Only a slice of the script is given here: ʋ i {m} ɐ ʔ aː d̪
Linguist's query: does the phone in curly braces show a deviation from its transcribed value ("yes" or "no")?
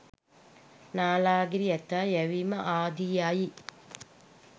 no